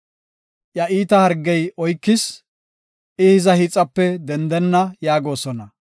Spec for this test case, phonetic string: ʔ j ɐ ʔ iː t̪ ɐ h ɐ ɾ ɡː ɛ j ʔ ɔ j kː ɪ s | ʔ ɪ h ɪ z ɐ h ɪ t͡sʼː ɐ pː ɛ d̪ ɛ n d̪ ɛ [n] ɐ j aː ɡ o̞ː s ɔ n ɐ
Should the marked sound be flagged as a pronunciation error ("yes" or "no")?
yes